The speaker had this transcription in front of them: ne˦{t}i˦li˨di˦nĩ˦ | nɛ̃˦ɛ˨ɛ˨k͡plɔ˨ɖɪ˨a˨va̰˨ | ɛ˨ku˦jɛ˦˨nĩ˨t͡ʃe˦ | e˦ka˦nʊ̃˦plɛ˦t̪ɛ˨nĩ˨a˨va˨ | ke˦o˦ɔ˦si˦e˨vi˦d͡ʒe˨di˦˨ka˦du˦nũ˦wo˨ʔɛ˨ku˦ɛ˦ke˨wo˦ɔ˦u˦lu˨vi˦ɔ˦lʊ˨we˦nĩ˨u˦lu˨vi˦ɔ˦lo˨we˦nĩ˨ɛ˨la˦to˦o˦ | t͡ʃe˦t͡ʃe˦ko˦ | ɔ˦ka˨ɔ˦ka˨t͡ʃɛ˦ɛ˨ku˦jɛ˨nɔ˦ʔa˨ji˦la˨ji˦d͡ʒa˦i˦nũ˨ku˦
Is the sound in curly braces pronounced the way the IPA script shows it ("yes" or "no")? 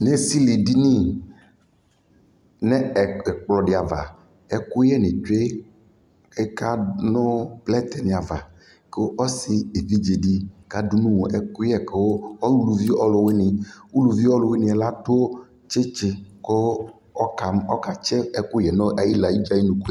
no